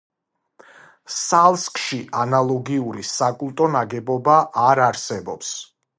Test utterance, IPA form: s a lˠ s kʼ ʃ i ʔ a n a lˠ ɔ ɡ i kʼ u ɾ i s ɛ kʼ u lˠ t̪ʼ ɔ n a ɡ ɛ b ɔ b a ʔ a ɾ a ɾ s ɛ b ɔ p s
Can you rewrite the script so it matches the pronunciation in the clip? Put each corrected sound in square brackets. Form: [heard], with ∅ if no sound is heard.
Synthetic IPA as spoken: s a lˠ s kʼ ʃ i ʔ a n a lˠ ɔ ɡ i [∅] u ɾ i s [a] kʼ u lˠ t̪ʼ ɔ n a ɡ ɛ b ɔ b a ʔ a ɾ a ɾ s ɛ b ɔ p s